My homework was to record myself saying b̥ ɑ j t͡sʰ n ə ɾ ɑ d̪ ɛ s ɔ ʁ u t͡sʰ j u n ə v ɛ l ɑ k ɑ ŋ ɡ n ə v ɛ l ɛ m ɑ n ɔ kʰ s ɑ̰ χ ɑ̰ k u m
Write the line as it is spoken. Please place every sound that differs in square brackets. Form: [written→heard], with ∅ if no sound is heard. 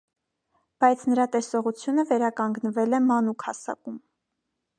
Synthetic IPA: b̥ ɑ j t͡sʰ n ə ɾ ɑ [d̪→t̪] ɛ s ɔ ʁ u t͡sʰ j u n ə v ɛ [l→ɾ] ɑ k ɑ ŋ ɡ n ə v ɛ l ɛ m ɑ n [ɔ→u] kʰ [s→h] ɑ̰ [χ→s] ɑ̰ k u m